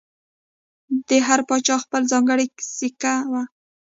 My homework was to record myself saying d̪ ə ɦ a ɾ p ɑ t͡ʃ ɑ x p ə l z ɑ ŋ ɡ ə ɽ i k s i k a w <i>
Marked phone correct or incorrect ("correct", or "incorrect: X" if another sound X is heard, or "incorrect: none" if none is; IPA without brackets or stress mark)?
incorrect: a